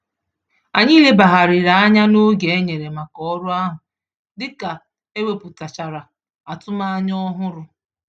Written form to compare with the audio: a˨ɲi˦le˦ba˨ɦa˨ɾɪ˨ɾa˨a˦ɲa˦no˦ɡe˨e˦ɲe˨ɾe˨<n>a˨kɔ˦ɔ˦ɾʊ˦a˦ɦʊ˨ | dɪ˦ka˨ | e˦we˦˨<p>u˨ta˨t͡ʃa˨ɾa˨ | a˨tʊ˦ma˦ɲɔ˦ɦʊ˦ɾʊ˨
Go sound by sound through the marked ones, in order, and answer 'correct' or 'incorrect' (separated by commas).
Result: incorrect, correct